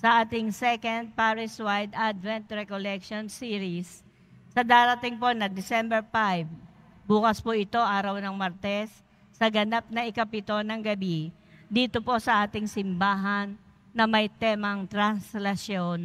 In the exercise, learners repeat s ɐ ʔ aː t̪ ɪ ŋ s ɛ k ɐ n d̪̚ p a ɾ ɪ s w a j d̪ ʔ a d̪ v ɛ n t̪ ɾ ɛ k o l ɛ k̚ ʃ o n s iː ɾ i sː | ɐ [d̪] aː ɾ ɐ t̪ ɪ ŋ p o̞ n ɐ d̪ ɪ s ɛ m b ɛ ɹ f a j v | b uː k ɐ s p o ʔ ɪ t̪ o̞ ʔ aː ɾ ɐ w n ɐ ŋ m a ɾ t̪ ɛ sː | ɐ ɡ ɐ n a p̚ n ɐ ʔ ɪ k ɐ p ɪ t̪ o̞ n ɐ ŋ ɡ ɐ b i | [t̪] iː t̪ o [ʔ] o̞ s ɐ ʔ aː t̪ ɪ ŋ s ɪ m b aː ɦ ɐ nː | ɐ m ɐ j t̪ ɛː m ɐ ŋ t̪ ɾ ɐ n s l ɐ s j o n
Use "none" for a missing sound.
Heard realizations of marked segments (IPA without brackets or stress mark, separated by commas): d̪, d̪, p